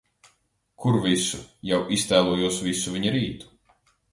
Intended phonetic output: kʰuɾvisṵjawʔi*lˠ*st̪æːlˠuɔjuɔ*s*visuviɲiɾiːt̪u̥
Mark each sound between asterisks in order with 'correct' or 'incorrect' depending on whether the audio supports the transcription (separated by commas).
incorrect, correct